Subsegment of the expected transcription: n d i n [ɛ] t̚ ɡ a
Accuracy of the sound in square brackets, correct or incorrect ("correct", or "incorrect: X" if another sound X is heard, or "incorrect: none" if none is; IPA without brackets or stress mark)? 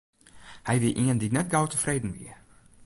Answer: correct